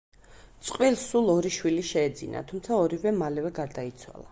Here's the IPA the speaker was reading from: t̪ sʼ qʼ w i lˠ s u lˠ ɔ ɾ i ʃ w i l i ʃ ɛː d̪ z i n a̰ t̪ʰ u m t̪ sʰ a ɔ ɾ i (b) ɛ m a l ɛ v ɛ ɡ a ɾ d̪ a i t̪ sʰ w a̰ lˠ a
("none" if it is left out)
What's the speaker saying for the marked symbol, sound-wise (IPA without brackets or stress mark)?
v